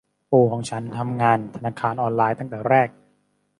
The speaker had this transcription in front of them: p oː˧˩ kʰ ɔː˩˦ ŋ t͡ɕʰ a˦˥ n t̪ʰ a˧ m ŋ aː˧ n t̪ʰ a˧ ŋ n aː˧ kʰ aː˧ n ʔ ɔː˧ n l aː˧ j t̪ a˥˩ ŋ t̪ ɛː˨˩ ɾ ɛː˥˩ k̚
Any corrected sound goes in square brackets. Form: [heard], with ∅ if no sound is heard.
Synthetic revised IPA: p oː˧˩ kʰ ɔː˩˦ ŋ t͡ɕʰ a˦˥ n t̪ʰ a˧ m ŋ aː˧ n t̪ʰ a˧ [∅] n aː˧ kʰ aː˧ n ʔ ɔː˧ n l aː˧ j t̪ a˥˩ ŋ t̪ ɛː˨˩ ɾ ɛː˥˩ k̚

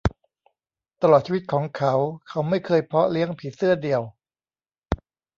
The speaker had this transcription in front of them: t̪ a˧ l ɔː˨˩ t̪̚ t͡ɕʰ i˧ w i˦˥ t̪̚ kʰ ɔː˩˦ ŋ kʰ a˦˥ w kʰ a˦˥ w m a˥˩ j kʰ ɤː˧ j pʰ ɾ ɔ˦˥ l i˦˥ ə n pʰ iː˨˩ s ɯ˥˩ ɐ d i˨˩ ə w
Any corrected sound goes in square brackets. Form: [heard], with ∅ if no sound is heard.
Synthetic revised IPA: t̪ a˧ l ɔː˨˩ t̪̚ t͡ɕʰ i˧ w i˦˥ t̪̚ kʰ ɔː˩˦ ŋ kʰ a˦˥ w kʰ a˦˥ w m a˥˩ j kʰ ɤː˧ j pʰ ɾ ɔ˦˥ l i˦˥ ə [ŋ] pʰ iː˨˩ s ɯ˥˩ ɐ d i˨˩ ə w

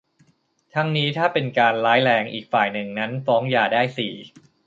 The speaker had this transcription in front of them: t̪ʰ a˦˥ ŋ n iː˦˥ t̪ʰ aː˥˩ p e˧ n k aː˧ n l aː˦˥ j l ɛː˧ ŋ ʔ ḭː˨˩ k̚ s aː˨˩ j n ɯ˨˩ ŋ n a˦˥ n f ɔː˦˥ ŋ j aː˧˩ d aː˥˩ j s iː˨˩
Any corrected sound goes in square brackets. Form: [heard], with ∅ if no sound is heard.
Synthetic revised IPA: t̪ʰ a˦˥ ŋ n iː˦˥ t̪ʰ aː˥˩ p e˧ n k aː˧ n l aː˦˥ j l ɛː˧ ŋ ʔ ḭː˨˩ k̚ [f] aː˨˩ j n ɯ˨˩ ŋ n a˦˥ n f ɔː˦˥ ŋ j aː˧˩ d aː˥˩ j s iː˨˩

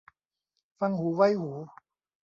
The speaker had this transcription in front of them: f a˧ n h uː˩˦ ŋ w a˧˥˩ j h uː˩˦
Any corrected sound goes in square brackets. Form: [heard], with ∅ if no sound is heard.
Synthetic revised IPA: f a˧ [ŋ] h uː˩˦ [∅] w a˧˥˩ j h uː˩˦

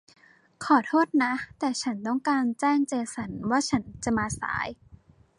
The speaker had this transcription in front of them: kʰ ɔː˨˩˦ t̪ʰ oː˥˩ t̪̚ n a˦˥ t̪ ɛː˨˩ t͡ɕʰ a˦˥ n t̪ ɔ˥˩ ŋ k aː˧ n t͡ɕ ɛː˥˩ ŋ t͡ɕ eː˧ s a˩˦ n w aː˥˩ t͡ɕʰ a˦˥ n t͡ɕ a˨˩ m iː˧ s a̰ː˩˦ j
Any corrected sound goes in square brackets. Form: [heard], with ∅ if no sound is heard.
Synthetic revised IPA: kʰ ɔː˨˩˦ t̪ʰ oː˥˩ t̪̚ n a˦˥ t̪ ɛː˨˩ t͡ɕʰ a˦˥ n t̪ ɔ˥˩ ŋ k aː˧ n t͡ɕ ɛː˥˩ ŋ t͡ɕ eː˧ s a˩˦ n w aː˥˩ t͡ɕʰ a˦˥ n t͡ɕ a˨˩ m [aː˧] s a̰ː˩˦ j

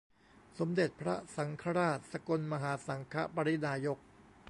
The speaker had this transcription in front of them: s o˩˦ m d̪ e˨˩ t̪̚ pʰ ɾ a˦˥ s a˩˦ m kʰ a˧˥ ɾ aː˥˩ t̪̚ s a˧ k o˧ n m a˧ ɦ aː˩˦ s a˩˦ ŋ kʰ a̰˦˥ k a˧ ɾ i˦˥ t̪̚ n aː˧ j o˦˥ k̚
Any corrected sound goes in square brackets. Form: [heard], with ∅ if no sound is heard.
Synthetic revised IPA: s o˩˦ m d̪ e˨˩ t̪̚ pʰ ɾ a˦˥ s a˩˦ [ŋ] kʰ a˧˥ ɾ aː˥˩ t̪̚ s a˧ k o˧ n m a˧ ɦ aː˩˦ s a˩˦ ŋ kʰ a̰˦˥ [p] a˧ ɾ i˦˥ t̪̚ n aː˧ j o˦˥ k̚

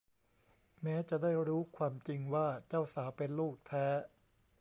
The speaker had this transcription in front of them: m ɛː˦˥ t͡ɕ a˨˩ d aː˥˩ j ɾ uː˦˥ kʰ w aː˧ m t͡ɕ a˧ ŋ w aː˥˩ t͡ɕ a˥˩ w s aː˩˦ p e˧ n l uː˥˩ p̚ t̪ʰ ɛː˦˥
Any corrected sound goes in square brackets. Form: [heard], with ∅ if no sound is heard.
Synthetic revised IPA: m ɛː˦˥ t͡ɕ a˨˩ d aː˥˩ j ɾ uː˦˥ kʰ w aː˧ m t͡ɕ [i˧] ŋ w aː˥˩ t͡ɕ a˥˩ w s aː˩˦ p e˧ n l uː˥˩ [k̚] t̪ʰ ɛː˦˥

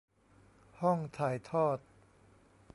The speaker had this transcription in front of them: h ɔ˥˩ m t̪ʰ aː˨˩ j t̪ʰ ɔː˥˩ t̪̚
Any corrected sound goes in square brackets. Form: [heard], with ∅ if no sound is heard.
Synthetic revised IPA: h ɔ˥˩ [ŋ] t̪ʰ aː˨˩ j t̪ʰ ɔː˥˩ t̪̚

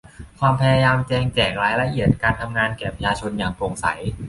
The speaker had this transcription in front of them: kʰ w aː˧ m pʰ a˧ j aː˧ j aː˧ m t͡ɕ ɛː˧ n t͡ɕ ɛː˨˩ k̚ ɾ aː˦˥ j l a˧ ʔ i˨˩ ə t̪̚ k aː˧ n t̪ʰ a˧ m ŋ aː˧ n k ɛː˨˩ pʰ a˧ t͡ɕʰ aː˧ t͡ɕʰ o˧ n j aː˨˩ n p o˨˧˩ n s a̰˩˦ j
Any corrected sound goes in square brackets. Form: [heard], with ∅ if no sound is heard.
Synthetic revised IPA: kʰ w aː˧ m pʰ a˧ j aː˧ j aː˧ m t͡ɕ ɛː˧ [ŋ] t͡ɕ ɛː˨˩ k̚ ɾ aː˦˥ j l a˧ ʔ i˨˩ ə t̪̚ k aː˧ n t̪ʰ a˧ m ŋ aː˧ n k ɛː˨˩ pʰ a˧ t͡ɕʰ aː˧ t͡ɕʰ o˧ n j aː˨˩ [ŋ] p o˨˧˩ [ŋ] s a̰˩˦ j

